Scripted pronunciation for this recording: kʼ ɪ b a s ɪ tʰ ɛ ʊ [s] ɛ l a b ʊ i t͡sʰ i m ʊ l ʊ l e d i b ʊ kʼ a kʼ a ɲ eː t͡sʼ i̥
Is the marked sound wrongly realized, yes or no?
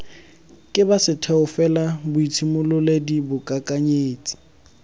yes